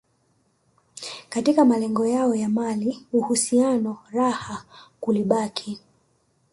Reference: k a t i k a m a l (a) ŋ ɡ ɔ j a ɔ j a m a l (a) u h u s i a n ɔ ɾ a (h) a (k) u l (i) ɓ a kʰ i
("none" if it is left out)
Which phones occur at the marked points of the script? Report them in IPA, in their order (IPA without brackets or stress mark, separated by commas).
ɛ, i, h, k, i